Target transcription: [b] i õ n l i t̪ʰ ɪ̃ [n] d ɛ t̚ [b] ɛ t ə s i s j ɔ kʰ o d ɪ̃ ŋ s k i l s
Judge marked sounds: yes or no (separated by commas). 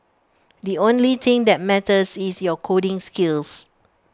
no, no, no